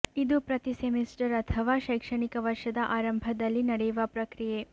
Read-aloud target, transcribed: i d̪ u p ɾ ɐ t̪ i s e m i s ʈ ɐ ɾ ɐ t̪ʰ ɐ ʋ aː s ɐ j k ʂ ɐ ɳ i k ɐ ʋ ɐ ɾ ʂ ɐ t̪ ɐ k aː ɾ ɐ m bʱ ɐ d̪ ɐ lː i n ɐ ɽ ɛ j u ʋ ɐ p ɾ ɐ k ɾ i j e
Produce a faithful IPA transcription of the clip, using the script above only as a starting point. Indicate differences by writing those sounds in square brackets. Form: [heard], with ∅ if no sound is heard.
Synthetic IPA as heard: i d̪ u p ɾ ɐ t̪ i s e m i s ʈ ɐ ɾ ɐ t̪ʰ ɐ ʋ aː [ʃ] ɐ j k ʂ ɐ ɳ i k ɐ ʋ ɐ ɾ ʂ ɐ [d̪] ɐ [ʔ] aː ɾ ɐ m bʱ ɐ d̪ ɐ lː i n ɐ ɽ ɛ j u ʋ ɐ p ɾ ɐ k ɾ i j e